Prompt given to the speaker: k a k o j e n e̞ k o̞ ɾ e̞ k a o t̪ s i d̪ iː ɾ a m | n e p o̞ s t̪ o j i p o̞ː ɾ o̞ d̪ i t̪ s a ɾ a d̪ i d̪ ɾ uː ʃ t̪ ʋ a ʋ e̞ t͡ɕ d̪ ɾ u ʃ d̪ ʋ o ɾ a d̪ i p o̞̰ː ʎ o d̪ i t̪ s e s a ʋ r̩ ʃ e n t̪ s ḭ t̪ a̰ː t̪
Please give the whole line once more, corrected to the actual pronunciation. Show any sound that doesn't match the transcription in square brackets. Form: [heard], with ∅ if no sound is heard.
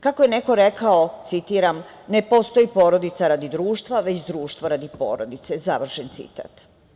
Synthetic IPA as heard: k a k o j e n e̞ k o̞ ɾ e̞ k a o t̪ s i [t̪] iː ɾ a m | n e p o̞ s t̪ o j i p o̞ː ɾ o̞ d̪ i t̪ s a ɾ a d̪ i d̪ ɾ uː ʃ t̪ ʋ a ʋ e̞ t͡ɕ d̪ ɾ [uː] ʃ [t̪] ʋ o ɾ a d̪ i p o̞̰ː [ɾ] o d̪ i t̪ s e [z] a ʋ r̩ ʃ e n t̪ s ḭ t̪ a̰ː t̪